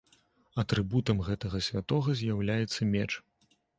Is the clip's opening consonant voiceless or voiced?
voiceless